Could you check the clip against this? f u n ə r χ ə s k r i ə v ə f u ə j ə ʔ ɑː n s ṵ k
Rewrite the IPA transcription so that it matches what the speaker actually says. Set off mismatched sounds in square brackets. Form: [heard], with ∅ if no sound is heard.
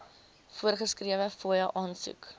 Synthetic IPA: f u [∅] ə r χ ə s k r i ə v ə f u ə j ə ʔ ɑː n s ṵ k